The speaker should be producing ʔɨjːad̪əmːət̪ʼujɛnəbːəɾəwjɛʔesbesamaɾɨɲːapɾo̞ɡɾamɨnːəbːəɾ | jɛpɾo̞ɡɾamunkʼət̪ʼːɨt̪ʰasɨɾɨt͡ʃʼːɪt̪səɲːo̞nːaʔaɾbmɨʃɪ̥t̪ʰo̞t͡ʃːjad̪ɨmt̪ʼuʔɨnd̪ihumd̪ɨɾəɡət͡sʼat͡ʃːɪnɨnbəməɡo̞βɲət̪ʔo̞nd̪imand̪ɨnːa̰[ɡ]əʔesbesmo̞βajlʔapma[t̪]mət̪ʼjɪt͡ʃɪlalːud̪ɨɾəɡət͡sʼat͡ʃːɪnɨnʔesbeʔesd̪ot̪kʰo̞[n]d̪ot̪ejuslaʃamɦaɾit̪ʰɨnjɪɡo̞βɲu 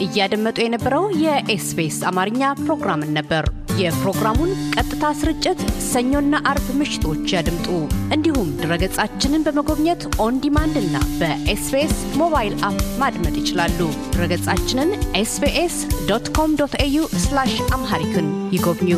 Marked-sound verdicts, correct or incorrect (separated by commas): incorrect, incorrect, incorrect